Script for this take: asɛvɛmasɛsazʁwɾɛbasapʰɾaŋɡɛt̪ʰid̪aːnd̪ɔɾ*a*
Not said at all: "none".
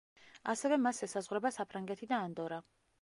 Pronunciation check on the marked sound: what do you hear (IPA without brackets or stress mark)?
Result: a